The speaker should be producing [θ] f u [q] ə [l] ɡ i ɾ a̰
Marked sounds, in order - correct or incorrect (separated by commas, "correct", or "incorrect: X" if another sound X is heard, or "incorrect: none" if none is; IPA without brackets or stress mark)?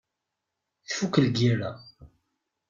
correct, incorrect: k, correct